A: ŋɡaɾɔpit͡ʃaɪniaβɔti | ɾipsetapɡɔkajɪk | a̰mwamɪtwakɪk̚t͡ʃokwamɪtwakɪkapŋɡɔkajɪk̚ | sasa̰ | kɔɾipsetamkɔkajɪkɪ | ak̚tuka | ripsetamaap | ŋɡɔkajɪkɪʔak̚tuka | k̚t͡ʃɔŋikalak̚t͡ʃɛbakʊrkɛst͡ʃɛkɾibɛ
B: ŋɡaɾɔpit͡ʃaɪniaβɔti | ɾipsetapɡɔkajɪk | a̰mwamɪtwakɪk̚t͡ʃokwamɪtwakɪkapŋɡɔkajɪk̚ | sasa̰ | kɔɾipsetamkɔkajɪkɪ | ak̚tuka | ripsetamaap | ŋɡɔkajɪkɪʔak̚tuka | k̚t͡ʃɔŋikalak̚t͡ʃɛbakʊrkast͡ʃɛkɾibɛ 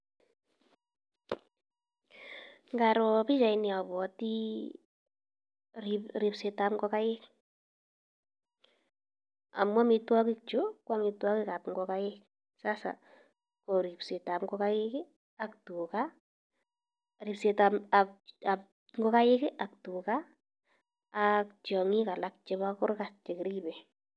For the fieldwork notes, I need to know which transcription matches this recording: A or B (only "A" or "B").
B